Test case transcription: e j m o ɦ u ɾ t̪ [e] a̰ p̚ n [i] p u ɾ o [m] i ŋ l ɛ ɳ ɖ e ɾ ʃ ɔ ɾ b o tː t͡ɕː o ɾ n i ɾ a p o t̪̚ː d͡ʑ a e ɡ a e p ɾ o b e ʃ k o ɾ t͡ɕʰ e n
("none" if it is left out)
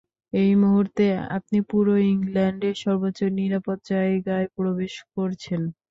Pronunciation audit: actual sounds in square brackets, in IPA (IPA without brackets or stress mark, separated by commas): e, i, none